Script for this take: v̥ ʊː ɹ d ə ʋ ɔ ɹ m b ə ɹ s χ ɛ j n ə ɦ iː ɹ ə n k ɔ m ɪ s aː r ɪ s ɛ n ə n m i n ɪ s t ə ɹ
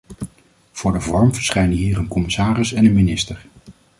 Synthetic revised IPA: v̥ ʊː ɹ d ə v ɔ ɹ m v ə ɹ s χ ɛ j n ə ɦ iː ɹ ə n k ɔ m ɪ s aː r ɪ s ɛ n ə n m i n ɪ s t ə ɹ